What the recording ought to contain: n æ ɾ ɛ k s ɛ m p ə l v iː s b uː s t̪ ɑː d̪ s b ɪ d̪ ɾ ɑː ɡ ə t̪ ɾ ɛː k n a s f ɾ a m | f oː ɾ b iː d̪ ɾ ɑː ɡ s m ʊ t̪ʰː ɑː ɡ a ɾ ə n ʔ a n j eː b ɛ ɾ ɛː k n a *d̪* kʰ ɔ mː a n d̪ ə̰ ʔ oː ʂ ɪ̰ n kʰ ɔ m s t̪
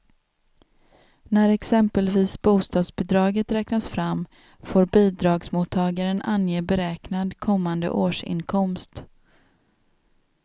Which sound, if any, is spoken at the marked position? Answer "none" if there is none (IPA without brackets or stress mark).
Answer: d̪